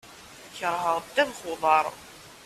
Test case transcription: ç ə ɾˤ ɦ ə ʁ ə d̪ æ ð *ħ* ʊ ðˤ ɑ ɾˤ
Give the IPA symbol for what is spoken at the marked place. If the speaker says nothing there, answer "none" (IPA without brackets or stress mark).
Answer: χ